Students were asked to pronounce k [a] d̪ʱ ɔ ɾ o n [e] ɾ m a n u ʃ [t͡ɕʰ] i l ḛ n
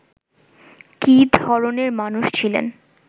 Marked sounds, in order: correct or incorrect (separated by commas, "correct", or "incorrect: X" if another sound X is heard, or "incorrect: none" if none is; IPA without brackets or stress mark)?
incorrect: i, correct, correct